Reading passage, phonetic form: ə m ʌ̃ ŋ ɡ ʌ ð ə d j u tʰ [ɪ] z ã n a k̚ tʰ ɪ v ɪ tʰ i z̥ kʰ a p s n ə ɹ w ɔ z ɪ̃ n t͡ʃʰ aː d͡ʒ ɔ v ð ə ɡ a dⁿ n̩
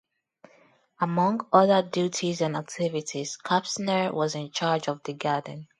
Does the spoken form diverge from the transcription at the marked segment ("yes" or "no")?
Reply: yes